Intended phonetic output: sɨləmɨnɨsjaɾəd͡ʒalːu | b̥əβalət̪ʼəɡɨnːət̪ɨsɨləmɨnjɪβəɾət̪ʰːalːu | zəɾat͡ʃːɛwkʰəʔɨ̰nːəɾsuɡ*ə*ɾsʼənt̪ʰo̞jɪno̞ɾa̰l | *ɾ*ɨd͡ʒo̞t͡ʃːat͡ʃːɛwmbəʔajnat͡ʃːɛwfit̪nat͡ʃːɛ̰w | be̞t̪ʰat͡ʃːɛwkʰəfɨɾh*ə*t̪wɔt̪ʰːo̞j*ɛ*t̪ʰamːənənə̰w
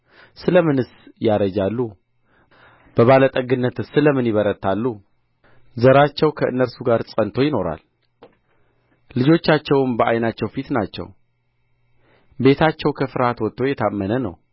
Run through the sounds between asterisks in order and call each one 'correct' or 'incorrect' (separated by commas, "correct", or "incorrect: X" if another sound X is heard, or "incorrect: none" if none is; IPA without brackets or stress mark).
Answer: incorrect: a, incorrect: l, incorrect: a, correct